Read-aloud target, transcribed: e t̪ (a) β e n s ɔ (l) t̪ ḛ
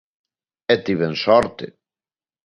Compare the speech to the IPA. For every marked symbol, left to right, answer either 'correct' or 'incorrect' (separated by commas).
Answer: incorrect, incorrect